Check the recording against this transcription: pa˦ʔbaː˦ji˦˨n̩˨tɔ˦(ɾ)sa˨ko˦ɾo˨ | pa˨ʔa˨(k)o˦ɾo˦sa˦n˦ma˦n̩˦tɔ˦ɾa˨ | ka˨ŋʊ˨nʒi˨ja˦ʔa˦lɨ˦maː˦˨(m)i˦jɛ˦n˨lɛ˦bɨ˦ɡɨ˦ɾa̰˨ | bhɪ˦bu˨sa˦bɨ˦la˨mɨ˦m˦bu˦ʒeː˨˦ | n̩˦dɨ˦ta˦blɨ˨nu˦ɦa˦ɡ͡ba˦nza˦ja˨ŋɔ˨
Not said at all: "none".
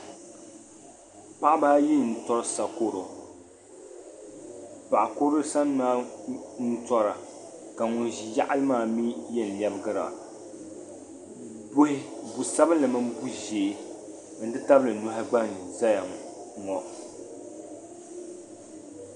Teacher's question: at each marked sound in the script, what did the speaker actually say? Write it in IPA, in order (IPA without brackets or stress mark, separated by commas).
ɾ, k, m